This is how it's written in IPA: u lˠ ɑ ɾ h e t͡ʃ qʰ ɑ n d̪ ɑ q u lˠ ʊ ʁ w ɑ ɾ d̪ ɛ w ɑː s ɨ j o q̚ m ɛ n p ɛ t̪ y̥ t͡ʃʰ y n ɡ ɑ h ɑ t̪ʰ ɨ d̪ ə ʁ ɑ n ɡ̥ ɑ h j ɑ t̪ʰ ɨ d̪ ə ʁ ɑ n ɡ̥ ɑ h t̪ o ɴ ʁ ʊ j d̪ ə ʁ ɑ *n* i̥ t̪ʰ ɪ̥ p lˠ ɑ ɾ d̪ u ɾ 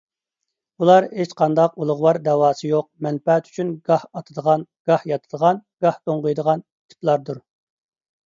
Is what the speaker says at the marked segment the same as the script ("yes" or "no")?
yes